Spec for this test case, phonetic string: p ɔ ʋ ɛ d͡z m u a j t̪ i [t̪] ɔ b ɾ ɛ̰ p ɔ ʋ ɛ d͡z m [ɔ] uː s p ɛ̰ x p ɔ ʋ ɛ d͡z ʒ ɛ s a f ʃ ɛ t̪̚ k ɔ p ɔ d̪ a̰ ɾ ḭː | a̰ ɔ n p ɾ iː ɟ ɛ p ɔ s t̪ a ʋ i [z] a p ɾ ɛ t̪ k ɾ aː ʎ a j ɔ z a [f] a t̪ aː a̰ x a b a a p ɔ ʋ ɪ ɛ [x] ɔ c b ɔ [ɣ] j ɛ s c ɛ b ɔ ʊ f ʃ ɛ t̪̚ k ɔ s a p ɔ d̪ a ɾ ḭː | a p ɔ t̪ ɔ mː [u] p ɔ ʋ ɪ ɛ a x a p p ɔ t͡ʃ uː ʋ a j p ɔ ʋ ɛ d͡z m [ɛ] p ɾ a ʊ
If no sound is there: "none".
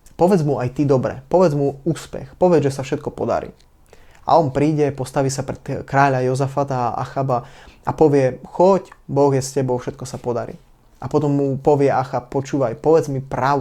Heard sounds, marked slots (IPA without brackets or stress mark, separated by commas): d̪, u, s, f, x, ɣ, u, i